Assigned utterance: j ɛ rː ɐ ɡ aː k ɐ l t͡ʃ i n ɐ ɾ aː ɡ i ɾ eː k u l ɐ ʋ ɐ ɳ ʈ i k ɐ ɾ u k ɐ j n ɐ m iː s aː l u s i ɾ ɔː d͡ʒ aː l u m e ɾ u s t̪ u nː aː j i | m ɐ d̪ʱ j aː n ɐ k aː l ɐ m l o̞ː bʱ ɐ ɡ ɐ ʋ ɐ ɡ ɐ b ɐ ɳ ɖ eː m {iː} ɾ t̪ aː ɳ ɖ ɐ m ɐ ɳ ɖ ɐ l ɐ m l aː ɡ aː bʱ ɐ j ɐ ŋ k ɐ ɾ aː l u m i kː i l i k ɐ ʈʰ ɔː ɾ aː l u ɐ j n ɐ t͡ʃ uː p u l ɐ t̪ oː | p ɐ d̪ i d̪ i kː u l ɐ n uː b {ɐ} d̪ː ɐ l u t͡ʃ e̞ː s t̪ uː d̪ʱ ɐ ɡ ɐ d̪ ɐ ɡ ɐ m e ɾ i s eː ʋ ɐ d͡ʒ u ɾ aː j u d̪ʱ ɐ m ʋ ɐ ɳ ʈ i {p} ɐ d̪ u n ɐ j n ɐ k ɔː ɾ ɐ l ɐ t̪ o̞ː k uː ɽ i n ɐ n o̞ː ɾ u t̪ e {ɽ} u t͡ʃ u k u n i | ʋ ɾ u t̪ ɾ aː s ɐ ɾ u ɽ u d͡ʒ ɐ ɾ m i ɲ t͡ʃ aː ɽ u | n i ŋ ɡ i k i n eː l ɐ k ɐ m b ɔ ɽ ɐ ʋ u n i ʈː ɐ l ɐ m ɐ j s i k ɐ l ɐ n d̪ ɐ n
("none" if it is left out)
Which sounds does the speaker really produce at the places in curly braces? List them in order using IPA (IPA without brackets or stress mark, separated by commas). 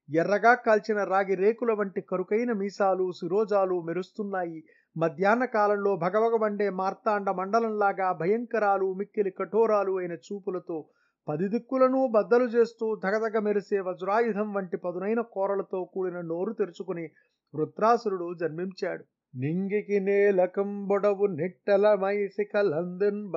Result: aː, ɐ, p, ɾ